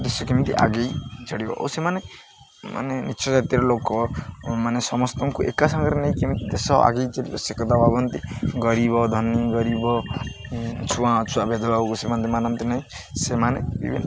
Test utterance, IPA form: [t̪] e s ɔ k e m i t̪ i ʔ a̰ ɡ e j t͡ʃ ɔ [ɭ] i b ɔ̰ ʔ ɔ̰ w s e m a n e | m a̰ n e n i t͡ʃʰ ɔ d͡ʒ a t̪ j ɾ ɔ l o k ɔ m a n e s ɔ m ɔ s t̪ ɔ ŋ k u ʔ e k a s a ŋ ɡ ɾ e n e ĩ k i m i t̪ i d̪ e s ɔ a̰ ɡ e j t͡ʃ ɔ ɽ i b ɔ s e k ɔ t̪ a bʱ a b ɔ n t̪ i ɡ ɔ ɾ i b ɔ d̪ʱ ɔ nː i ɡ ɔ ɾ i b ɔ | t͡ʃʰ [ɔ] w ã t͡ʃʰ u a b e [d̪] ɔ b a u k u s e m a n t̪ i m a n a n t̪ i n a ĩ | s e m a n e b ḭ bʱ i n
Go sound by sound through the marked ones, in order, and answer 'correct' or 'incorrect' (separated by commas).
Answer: incorrect, incorrect, incorrect, correct